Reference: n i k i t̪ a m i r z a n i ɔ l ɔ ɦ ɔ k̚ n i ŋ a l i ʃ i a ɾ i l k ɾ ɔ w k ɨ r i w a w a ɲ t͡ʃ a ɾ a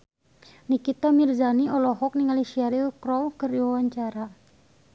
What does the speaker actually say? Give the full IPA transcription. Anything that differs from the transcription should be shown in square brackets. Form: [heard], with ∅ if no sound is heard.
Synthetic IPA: n i k i t̪ a m i r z a n i ɔ l ɔ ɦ ɔ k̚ n i ŋ a l i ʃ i a ɾ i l k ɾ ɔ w k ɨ r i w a w a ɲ t͡ʃ a ɾ a

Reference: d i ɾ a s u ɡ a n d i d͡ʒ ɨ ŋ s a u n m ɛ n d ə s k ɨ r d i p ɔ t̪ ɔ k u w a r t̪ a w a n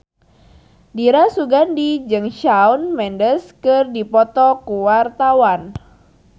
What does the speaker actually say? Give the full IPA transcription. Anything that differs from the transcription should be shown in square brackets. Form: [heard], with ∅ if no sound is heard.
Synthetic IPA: d i ɾ a s u ɡ a n d i d͡ʒ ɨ ŋ [ʃ] a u n m ɛ n d ə s k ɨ r d i p ɔ t̪ ɔ k u w a r t̪ a w a n

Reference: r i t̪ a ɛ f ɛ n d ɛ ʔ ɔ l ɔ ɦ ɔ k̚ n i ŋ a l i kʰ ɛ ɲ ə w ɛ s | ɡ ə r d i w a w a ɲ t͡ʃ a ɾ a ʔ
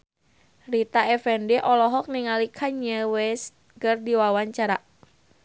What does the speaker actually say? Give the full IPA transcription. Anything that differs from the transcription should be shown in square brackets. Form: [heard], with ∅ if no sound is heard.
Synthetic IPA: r i t̪ a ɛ f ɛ n d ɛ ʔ ɔ l ɔ ɦ ɔ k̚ n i ŋ a l i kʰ [a] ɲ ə w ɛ s | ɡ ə r d i w a w a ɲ t͡ʃ a ɾ a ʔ

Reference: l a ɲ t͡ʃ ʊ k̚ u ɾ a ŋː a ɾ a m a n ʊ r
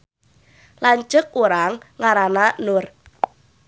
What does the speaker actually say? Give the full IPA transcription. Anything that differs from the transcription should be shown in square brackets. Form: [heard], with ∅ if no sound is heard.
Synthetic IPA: l a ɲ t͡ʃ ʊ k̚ u ɾ a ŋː a ɾ a [n] a n ʊ r

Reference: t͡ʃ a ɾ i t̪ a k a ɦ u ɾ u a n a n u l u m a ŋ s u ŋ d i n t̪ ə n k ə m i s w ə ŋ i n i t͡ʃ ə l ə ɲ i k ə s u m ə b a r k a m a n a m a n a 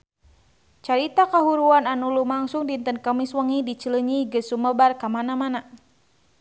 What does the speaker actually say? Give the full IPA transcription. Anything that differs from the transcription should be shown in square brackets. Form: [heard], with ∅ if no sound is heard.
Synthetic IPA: t͡ʃ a ɾ i t̪ a k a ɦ u ɾ u a n a n u l u m a ŋ s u ŋ d i n t̪ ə n k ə m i s w ə ŋ i [d] i t͡ʃ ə l ə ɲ i [ɡ] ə s u m ə b a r k a m a n a m a n a

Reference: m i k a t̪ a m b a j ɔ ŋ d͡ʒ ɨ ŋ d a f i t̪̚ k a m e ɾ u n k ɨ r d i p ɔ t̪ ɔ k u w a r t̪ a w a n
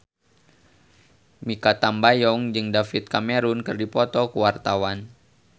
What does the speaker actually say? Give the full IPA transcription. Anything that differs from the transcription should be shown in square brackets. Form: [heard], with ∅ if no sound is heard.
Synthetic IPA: m i k a t̪ a m b a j ɔ ŋ d͡ʒ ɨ ŋ d a f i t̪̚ k a m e ɾ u n k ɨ r d i p ɔ t̪ ɔ k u w a r t̪ a w a n

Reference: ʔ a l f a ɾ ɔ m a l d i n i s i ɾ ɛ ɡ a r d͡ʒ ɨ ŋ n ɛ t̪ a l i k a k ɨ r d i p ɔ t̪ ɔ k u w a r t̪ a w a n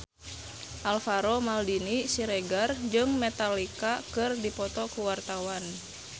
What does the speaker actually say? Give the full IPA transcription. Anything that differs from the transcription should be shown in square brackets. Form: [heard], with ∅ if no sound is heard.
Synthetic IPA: ʔ a l f a ɾ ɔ m a l d i n i s i ɾ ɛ ɡ a r d͡ʒ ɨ ŋ [m] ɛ t̪ a l i k a k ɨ r d i p ɔ t̪ ɔ k u w a r t̪ a w a n

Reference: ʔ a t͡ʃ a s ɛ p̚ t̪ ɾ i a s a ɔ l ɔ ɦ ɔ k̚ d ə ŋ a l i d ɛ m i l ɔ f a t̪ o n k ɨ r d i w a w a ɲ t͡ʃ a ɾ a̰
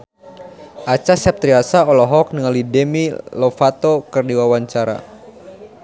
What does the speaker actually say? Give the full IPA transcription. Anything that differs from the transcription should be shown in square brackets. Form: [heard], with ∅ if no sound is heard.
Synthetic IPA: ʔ a t͡ʃ a s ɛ p̚ t̪ ɾ i a s a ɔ l ɔ ɦ ɔ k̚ [n] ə ŋ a l i d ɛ m i l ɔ f a t̪ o [∅] k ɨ r d i w a w a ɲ t͡ʃ a ɾ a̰

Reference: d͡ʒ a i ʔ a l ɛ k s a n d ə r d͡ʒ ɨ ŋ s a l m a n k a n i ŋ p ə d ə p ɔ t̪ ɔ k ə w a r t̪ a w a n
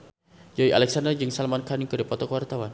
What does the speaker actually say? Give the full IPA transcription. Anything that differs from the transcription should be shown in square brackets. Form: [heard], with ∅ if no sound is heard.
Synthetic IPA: d͡ʒ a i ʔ a l ɛ k s a n d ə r d͡ʒ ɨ ŋ s a l m a n k a n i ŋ [k] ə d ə p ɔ t̪ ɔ k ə w a r t̪ a w a n

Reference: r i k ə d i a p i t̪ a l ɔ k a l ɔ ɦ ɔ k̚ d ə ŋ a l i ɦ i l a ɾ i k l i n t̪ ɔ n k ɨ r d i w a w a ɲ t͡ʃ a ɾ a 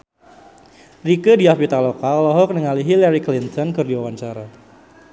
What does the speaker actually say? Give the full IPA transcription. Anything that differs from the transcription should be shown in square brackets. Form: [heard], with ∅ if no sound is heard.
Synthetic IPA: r i k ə d i a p i t̪ a l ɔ k a l ɔ ɦ ɔ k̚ [n] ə ŋ a l i ɦ i l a ɾ i k l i n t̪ ɔ n k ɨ r d i w a w a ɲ t͡ʃ a ɾ a

